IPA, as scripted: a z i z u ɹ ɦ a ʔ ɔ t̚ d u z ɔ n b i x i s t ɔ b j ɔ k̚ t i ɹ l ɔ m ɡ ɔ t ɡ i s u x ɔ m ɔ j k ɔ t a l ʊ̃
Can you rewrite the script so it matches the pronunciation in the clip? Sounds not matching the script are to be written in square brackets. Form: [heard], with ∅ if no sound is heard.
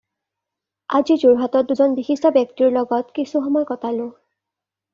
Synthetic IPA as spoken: a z i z u ɹ ɦ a [t] ɔ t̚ d u z ɔ n b i x i s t ɔ b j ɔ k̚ t i ɹ l ɔ [∅] ɡ ɔ t [k] i s u x ɔ m ɔ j k ɔ t a l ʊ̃